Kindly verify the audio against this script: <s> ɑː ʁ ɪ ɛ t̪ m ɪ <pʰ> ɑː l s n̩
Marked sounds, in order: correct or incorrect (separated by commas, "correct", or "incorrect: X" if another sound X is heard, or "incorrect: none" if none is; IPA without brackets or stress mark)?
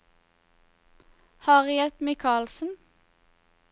incorrect: h, incorrect: kʰ